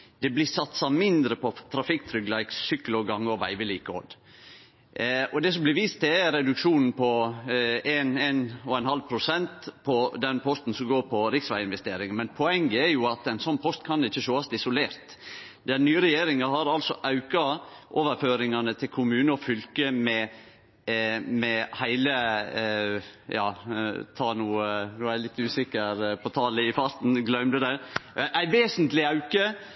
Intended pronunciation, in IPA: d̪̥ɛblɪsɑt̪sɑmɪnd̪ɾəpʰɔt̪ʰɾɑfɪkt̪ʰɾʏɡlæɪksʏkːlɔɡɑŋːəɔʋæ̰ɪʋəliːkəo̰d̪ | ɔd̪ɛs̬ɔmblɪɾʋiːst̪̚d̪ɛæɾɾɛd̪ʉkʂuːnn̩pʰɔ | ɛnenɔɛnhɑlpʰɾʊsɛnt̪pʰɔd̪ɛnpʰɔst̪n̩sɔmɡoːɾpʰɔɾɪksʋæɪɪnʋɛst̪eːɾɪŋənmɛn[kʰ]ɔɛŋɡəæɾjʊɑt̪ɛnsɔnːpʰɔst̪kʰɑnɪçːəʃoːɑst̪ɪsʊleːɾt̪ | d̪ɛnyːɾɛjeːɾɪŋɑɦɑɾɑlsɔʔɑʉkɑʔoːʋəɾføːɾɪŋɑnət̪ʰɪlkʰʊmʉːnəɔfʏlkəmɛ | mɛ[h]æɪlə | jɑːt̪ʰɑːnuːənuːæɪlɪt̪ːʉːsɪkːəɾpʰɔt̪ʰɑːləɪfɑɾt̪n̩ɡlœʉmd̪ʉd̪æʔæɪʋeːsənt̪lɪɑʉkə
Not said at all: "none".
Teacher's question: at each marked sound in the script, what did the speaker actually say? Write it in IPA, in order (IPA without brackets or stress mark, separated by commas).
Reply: pʰ, h